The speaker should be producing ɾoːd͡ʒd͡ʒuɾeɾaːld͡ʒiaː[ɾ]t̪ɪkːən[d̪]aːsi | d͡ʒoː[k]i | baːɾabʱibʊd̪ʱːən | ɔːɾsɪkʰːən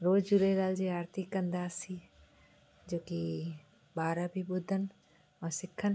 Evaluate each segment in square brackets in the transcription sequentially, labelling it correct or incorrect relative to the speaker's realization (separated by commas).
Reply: correct, correct, correct